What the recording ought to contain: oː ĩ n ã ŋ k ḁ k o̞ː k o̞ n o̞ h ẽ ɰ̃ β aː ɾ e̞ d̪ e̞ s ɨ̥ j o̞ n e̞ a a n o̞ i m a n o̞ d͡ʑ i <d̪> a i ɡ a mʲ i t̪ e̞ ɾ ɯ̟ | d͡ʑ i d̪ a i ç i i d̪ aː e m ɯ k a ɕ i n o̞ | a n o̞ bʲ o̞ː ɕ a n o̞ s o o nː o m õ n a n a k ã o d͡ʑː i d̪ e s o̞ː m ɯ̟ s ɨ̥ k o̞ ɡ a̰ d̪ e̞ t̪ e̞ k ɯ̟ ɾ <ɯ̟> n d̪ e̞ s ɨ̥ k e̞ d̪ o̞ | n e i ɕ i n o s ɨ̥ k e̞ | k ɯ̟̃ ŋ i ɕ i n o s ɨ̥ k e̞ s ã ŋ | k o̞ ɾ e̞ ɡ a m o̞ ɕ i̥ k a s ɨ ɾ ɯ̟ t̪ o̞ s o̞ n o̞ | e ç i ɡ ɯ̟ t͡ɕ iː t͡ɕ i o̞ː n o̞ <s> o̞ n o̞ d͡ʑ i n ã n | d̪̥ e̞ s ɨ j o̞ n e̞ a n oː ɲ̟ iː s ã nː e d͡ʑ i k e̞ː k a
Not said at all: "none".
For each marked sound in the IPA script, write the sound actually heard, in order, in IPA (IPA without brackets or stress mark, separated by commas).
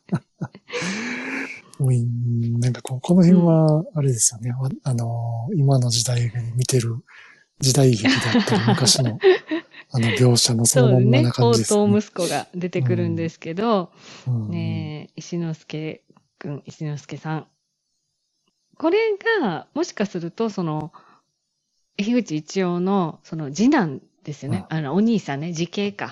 d̪, ɯ̟̃, s